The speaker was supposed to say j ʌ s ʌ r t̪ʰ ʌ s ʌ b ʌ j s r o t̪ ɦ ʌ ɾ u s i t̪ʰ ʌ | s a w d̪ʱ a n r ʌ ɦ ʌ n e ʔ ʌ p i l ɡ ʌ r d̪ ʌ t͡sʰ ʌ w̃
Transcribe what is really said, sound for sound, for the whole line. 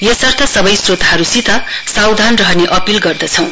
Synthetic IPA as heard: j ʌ s ʌ r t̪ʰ ʌ s ʌ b ʌ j s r o t̪ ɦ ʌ ɾ u s i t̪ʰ ʌ | s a w d̪ʱ a n r ʌ ɦ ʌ n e ʔ ʌ p i l ɡ ʌ r d̪ ʌ t͡sʰ ʌ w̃